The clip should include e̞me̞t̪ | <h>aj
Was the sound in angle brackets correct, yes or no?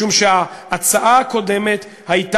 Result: yes